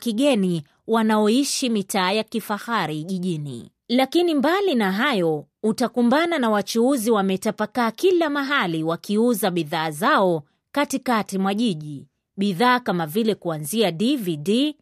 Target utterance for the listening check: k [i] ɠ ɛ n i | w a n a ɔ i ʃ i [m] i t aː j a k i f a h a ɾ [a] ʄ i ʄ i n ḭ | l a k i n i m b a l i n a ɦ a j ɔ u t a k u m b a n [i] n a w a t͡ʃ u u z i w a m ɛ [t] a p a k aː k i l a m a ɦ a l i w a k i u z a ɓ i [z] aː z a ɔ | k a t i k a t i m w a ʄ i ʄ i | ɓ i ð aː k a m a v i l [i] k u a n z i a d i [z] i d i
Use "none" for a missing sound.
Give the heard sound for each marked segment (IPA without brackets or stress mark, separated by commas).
i, m, i, a, t, ð, ɛ, v